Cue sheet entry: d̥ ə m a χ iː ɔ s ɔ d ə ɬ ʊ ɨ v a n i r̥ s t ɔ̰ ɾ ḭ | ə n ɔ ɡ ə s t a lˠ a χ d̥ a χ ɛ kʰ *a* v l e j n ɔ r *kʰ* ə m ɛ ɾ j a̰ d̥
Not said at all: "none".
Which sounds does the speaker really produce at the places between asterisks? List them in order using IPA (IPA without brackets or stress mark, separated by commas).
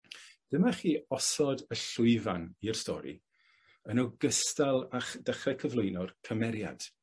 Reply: ə, kʰ